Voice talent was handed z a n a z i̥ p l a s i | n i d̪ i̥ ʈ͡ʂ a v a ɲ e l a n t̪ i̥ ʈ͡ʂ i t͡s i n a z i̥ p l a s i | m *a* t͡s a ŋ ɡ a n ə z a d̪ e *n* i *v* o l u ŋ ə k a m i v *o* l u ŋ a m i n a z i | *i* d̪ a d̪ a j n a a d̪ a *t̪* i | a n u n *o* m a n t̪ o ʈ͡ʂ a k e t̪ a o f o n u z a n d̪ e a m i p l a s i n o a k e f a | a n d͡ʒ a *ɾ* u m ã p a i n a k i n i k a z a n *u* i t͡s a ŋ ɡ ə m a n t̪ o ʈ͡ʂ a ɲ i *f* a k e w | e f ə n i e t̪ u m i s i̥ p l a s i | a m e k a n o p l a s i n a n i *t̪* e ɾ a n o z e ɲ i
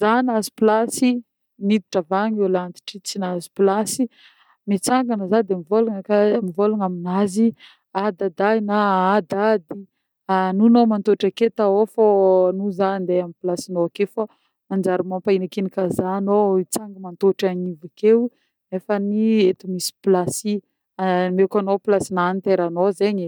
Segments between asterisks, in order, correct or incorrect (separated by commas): incorrect, incorrect, correct, correct, incorrect, incorrect, correct, correct, incorrect, incorrect, correct